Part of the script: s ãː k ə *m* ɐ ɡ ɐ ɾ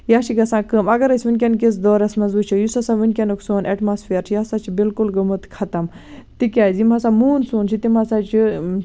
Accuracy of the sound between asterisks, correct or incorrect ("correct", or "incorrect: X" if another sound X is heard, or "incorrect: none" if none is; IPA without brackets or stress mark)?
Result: correct